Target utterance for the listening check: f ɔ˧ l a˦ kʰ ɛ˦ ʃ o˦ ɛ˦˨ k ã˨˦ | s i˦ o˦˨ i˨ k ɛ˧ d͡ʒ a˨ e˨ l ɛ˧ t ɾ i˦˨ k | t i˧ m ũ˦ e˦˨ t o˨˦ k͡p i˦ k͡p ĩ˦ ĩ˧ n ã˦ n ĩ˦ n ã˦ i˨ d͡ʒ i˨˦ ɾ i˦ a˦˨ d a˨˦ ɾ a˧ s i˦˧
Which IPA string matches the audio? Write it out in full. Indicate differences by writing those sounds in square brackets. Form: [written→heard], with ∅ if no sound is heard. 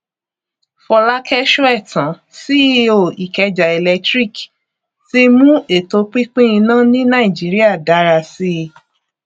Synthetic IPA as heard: f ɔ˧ l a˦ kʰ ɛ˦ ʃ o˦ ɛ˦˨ [k→t] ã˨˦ | s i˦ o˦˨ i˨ k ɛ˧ d͡ʒ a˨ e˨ l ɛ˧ t ɾ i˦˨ k | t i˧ m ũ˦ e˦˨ t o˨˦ k͡p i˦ k͡p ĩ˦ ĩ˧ n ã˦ n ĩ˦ n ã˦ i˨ d͡ʒ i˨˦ ɾ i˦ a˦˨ d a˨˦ ɾ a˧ s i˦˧